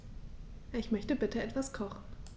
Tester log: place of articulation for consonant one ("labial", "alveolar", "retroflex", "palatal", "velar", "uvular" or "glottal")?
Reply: palatal